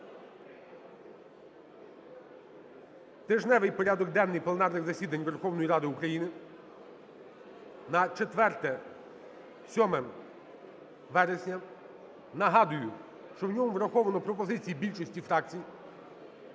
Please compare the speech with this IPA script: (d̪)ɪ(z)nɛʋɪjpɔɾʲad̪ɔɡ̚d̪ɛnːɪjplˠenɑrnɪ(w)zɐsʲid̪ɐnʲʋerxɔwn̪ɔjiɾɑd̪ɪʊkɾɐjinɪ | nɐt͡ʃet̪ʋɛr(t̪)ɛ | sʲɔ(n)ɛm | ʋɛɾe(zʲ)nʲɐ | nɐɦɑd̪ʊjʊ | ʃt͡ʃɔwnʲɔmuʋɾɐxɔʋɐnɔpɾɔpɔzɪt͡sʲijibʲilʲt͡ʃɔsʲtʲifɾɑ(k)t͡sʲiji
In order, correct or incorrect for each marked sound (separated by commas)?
incorrect, incorrect, incorrect, correct, incorrect, incorrect, correct